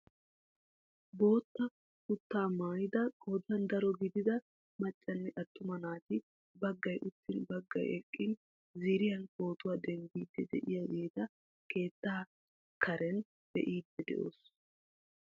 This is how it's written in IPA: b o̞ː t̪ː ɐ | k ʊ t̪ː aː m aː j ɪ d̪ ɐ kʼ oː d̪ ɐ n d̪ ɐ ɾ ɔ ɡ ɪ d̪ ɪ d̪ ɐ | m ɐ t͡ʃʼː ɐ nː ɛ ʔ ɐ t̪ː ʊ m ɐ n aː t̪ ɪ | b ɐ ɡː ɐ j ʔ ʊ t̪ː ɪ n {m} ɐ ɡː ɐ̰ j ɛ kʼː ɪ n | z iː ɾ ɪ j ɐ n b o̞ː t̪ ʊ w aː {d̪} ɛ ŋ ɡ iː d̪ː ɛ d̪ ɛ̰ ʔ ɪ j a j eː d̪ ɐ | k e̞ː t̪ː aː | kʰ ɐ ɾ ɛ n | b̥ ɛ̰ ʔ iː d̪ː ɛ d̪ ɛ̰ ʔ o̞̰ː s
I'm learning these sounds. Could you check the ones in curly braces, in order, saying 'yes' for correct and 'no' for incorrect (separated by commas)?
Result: no, yes